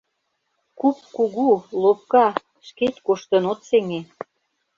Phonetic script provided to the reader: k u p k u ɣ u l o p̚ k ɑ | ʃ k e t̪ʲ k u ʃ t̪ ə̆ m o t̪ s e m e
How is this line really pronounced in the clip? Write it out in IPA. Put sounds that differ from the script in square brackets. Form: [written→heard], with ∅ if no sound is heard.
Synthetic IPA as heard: k u p k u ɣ u l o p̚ k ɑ | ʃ k e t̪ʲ k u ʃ t̪ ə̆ [m→n] o t̪ s e [m→ŋ] e

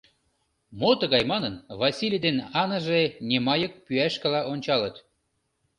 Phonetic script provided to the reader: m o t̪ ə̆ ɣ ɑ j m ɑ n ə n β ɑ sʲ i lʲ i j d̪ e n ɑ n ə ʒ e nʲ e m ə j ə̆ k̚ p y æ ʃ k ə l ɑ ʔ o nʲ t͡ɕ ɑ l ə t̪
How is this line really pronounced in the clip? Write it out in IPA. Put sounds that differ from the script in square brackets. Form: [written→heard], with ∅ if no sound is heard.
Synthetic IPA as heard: m o t̪ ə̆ ɣ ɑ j m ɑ n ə n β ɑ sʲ i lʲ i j d̪ e n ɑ n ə ʒ e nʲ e m [ə→ɑ] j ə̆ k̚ p y æ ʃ k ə l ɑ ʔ o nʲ t͡ɕ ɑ l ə t̪

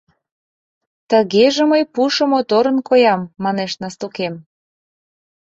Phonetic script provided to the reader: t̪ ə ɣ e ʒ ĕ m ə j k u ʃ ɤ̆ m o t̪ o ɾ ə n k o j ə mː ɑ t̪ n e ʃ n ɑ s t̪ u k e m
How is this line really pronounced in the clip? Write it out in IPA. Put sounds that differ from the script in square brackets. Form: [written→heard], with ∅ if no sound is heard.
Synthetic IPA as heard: t̪ ə ɣ e ʒ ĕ m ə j [k→p] u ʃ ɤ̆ m o t̪ o ɾ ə n k o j [ə→ɑ] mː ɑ [t̪→∅] n e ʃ n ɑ s t̪ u k e m

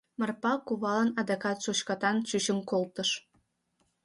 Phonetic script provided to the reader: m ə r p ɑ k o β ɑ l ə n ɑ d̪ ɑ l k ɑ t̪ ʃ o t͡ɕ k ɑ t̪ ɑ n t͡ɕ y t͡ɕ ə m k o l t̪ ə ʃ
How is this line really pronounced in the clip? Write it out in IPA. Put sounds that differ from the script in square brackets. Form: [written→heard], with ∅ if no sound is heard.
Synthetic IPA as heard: m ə r p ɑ k [o→u] β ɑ l ə n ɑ d̪ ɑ [l→∅] k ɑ t̪ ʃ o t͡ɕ k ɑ t̪ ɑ n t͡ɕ y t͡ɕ ə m k o l t̪ ə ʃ

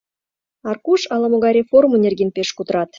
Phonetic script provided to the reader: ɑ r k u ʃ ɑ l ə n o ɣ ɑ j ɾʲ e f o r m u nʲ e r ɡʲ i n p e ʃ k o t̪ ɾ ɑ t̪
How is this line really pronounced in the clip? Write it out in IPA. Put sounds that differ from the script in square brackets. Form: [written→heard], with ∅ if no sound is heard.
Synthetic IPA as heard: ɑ r k u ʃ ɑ l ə [n→m] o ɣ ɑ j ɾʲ e f o r m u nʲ e r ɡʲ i n p e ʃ k [o→u] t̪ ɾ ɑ t̪

